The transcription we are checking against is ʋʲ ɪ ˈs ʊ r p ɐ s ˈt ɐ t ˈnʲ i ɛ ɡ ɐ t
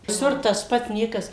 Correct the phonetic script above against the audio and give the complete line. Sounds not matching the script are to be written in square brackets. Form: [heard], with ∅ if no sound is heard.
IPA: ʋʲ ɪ ˈs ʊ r [t] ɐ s [ˈp] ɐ t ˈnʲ i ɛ [k] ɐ [s]